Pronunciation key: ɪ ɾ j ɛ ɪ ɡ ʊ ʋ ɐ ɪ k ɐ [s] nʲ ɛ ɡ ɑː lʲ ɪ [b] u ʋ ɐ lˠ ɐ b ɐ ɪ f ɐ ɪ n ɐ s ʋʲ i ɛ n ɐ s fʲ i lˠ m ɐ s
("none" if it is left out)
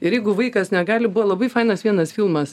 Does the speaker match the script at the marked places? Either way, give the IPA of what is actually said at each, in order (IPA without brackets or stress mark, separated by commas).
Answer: s, b